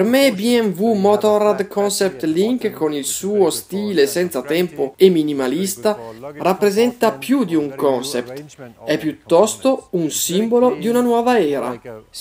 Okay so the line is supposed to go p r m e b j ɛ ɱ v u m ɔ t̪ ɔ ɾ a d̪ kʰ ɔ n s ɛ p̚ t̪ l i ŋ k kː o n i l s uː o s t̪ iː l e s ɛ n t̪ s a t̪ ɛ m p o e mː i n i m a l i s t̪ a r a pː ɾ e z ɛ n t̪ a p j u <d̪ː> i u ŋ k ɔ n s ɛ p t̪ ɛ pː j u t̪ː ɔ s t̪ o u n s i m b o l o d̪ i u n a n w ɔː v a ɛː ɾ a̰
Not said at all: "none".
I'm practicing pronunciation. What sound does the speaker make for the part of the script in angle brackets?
d̪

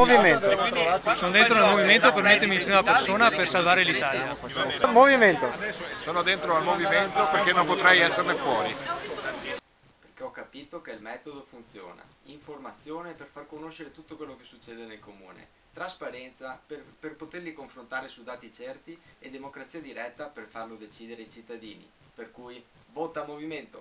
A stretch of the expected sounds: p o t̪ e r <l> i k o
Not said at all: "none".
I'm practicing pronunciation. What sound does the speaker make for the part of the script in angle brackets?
l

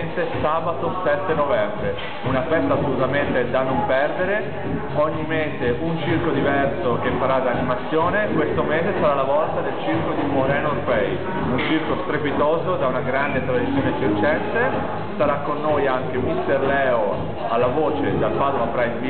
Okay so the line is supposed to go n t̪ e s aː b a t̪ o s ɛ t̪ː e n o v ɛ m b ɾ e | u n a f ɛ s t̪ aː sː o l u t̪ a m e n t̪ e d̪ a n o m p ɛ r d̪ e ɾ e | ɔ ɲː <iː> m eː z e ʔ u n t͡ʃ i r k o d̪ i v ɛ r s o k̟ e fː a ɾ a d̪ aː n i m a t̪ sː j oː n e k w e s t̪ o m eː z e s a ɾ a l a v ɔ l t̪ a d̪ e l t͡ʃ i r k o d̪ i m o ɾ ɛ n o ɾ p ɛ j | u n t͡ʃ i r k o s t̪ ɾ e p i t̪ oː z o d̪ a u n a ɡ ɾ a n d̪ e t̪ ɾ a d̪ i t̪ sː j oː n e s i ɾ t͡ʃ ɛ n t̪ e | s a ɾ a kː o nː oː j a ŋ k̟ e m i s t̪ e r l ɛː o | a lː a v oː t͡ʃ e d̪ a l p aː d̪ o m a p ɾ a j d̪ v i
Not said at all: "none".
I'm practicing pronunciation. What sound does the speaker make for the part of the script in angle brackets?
i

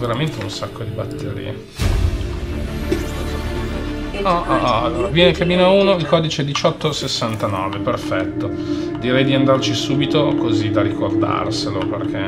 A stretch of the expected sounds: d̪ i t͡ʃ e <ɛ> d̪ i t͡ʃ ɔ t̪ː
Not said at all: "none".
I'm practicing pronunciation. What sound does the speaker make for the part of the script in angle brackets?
ɛ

